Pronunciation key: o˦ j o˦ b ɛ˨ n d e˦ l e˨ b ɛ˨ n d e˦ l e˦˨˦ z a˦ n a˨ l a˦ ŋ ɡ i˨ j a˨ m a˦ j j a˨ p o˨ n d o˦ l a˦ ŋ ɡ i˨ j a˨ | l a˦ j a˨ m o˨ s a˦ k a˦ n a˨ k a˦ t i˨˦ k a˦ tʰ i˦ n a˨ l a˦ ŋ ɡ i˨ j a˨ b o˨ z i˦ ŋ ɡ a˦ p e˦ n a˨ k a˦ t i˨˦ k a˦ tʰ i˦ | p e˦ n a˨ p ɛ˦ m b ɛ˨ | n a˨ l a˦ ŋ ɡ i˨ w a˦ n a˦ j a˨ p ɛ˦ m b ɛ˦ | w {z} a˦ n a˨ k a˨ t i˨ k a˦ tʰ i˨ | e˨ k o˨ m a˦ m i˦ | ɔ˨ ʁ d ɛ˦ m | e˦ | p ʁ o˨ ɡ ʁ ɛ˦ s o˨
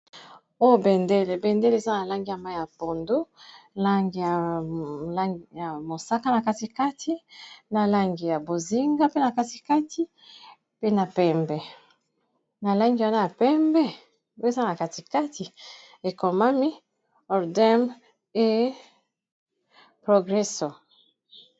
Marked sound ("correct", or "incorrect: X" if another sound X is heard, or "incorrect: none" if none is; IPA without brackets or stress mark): correct